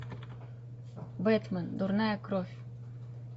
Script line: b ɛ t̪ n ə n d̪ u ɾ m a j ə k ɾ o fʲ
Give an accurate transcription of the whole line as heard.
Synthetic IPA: b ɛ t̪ m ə n d̪ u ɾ n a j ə k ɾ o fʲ